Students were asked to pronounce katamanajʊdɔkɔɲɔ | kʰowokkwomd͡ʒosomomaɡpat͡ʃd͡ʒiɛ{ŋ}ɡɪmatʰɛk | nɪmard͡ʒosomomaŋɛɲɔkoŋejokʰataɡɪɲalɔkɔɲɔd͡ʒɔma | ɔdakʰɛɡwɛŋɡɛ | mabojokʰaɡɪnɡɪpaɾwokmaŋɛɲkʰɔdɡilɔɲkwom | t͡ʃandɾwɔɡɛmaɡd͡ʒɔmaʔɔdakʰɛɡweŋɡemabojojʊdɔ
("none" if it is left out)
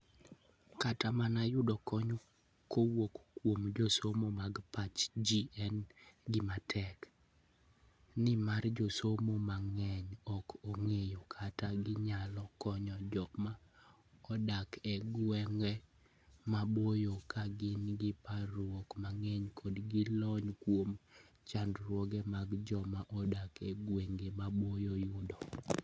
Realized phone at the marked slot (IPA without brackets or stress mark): n